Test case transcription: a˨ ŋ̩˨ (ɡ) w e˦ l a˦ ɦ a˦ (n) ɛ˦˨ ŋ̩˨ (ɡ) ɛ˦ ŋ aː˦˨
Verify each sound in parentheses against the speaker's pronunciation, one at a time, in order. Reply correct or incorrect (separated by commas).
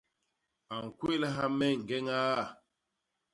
incorrect, incorrect, correct